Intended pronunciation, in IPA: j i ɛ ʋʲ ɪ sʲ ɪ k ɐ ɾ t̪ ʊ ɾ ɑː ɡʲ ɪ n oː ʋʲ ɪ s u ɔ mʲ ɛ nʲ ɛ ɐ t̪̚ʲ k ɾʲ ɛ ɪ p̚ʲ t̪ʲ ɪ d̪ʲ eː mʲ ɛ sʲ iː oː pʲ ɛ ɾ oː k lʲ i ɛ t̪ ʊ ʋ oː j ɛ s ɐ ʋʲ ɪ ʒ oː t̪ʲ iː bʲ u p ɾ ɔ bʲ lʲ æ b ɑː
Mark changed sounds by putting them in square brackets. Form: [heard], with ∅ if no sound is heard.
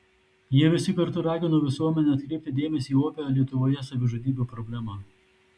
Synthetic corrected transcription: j i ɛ ʋʲ ɪ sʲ ɪ k ɐ ɾ t̪ ʊ ɾ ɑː ɡʲ ɪ n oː ʋʲ ɪ s u ɔ mʲ ɛ nʲ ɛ ɐ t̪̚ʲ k ɾʲ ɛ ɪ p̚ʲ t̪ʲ ɪ d̪ʲ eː mʲ ɛ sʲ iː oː pʲ ɛ ɾ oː [∅] lʲ i ɛ t̪ ʊ ʋ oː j ɛ s ɐ ʋʲ ɪ ʒ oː [d̪ʲ] iː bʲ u p ɾ ɔ bʲ lʲ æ [m] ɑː